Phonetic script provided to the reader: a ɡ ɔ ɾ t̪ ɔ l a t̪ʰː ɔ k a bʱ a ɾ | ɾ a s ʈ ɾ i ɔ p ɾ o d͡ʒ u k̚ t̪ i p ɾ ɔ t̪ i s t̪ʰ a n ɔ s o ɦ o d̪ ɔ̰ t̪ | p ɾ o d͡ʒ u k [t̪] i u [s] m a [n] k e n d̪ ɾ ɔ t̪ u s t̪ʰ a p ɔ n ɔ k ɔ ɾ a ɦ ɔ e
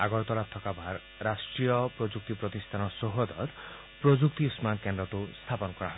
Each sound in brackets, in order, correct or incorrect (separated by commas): correct, correct, correct